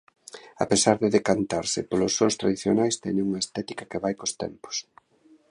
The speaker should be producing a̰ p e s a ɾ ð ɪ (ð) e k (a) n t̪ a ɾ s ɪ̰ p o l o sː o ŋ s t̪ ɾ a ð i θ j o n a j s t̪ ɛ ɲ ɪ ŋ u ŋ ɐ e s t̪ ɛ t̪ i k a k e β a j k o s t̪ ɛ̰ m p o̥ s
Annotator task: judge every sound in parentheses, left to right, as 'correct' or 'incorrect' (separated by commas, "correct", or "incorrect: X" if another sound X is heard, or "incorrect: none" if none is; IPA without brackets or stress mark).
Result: correct, correct